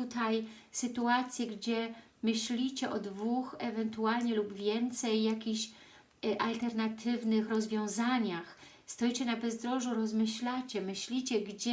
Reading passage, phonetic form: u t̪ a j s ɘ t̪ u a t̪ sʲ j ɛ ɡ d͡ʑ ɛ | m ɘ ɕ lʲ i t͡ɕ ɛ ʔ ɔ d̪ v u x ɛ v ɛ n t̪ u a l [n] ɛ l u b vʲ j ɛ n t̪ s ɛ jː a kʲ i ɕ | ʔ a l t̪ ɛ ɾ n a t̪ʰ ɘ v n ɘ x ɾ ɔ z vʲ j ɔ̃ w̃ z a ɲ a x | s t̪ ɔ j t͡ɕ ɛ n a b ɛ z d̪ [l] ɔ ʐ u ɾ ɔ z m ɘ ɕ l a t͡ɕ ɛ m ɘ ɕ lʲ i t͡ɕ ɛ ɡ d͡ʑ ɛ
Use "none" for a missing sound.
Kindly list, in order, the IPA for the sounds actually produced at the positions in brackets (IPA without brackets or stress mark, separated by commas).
ɲ, ɾ